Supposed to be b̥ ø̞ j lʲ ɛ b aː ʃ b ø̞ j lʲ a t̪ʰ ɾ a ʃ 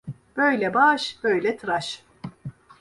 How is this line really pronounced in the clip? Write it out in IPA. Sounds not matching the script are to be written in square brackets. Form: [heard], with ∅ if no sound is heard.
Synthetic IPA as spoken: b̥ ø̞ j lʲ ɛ b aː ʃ b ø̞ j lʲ [ɛ] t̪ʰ ɾ a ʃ